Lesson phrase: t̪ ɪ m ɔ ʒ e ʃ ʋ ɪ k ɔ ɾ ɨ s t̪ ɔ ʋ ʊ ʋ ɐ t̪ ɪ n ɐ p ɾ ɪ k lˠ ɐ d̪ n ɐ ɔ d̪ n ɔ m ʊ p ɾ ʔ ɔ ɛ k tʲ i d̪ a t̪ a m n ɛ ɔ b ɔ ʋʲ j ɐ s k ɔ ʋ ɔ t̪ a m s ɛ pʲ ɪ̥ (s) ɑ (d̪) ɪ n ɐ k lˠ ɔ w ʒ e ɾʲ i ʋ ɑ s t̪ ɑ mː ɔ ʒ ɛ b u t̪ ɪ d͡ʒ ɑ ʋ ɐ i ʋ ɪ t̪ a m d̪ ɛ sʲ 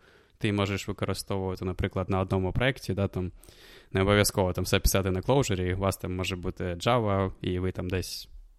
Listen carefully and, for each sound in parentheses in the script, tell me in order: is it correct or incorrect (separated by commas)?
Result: correct, incorrect